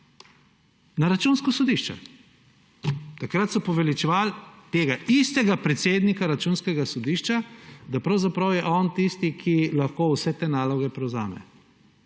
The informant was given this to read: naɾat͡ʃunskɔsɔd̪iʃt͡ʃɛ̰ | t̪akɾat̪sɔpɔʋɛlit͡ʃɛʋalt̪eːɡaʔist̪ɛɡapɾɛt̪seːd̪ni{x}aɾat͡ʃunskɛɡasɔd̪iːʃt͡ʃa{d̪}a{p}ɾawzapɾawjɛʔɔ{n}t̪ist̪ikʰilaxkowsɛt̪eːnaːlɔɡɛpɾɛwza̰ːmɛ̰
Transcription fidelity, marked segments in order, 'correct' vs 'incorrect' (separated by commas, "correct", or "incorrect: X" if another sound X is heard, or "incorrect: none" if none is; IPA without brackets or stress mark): incorrect: k, correct, correct, correct